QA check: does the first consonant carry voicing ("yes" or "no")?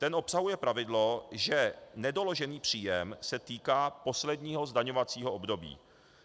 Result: no